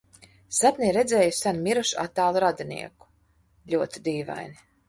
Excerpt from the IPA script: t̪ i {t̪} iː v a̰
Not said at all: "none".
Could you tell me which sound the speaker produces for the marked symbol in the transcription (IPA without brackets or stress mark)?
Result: d̪